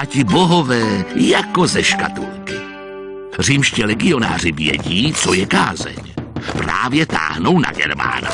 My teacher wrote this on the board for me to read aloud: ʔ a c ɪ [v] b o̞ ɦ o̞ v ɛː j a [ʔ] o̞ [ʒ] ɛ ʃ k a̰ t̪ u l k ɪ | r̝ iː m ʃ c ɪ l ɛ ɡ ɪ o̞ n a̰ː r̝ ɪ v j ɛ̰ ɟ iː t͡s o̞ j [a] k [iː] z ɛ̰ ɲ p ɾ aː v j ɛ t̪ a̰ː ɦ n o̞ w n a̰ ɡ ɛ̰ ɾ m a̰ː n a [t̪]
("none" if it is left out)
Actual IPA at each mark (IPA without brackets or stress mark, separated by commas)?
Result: none, k, z, ɛ, aː, none